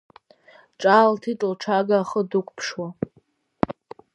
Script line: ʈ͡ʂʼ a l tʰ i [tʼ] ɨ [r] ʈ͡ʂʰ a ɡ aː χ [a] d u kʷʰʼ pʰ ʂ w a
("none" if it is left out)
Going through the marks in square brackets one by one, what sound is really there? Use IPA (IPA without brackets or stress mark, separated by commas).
tʼ, l, ə